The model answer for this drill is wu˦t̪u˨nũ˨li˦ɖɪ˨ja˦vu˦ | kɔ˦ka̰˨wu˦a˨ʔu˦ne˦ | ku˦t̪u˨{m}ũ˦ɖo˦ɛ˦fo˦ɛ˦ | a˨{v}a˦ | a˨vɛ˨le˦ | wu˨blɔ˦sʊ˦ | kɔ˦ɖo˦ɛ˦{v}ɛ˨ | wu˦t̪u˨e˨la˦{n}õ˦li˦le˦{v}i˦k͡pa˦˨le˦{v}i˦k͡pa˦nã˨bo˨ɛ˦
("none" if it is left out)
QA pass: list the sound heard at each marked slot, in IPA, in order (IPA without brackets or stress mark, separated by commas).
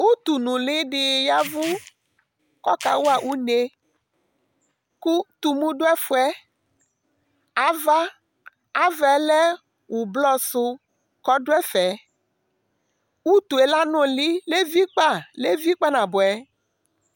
m, v, f, n, v, v